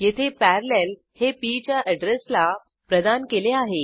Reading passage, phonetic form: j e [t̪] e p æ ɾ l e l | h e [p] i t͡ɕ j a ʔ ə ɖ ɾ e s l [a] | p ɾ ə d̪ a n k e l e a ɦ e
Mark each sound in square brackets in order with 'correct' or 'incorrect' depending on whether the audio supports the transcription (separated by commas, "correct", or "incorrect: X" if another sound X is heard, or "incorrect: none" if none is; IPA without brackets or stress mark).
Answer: incorrect: t̪ʰ, correct, correct